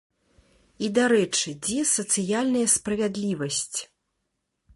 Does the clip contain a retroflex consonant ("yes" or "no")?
yes